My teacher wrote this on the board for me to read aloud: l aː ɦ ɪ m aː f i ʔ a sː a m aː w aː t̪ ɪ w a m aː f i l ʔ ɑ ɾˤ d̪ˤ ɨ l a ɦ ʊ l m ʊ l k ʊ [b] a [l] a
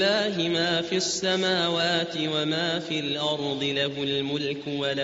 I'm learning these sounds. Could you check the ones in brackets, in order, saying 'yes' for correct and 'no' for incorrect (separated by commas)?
no, yes